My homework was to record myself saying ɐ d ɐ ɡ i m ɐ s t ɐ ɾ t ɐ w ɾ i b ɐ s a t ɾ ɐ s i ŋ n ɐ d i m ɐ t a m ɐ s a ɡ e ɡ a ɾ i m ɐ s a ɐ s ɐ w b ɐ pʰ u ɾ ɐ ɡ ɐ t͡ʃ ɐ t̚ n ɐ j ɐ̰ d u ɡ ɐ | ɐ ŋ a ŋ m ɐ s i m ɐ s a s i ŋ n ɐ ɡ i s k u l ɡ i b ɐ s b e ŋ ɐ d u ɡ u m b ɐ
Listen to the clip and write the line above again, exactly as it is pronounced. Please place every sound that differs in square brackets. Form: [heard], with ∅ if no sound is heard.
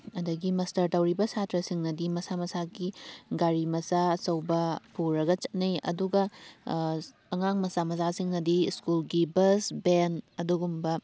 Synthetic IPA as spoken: ɐ d ɐ ɡ i m ɐ s t ɐ ɾ t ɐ w ɾ i b ɐ s a t ɾ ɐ s i ŋ n ɐ d i m ɐ [s] a m ɐ s a ɡ [i] ɡ a ɾ i m ɐ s a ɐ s ɐ w b ɐ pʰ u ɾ ɐ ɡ ɐ t͡ʃ ɐ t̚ n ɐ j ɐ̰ d u ɡ ɐ | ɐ ŋ a ŋ m ɐ s [a] m ɐ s a s i ŋ n ɐ [d] i s k u l ɡ i b ɐ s b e [n] ɐ d u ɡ u m b ɐ